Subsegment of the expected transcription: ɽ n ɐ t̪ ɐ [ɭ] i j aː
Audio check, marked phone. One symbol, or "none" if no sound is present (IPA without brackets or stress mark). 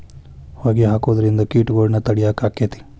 ɽ